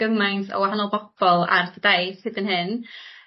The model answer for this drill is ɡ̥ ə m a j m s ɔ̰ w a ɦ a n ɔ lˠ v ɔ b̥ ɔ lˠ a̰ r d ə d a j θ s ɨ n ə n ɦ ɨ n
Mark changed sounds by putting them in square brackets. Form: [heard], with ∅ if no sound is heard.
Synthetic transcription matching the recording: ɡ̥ ə m a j [n] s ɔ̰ w a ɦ a n ɔ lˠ [b] ɔ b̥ ɔ lˠ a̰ r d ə d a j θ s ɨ [d] ə n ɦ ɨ n